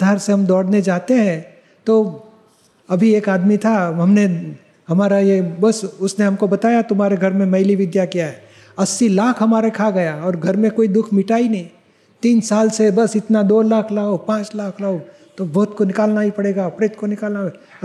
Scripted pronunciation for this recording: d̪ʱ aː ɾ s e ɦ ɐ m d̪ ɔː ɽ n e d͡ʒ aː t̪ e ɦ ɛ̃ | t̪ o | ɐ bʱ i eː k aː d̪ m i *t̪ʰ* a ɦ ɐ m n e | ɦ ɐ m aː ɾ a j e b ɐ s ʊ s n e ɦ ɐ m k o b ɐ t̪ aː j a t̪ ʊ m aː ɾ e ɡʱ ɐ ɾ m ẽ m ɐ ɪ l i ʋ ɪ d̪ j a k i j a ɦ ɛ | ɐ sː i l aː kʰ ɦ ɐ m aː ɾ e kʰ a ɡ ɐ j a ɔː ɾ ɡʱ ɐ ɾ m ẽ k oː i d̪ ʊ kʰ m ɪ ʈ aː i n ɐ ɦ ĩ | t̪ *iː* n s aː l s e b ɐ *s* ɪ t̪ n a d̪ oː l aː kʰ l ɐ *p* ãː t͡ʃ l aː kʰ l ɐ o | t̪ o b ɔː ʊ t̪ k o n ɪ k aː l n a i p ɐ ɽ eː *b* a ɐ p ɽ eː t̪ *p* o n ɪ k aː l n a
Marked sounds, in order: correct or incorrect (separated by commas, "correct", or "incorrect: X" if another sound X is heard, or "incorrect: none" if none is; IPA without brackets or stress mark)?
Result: correct, correct, correct, correct, incorrect: ɡ, incorrect: k